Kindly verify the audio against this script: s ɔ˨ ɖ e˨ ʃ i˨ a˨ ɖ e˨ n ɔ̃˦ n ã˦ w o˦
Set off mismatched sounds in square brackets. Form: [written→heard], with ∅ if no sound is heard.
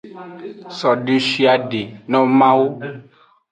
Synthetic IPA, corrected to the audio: s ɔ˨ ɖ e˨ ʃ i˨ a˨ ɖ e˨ n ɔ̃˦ [n→m] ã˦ w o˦